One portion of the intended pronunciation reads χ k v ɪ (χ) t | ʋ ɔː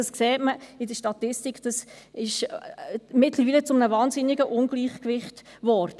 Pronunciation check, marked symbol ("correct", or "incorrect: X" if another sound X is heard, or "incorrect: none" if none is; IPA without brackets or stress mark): correct